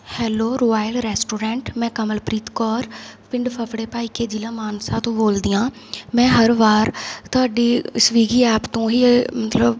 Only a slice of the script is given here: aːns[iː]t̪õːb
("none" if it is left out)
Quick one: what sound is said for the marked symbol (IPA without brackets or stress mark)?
aː